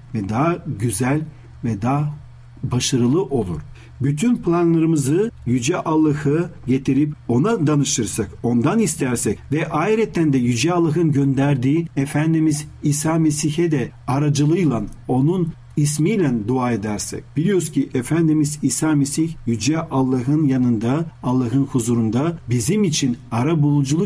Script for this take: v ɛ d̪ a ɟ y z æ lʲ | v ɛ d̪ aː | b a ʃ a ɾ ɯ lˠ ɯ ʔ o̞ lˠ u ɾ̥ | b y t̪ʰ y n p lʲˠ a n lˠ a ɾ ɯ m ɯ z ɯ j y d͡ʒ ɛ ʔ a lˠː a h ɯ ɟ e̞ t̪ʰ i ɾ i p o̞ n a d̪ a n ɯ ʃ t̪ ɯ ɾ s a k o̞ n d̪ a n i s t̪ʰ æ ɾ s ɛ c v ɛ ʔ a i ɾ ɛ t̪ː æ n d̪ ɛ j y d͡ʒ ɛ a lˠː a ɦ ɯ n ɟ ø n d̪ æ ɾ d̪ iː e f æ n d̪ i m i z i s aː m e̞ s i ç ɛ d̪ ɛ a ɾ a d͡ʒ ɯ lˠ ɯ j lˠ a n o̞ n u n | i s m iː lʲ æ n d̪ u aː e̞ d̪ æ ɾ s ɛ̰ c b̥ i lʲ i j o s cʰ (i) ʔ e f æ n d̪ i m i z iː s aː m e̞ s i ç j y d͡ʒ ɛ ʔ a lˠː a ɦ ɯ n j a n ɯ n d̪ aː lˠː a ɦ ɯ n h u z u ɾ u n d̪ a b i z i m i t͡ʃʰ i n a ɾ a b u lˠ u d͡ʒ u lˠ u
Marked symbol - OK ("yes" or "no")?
yes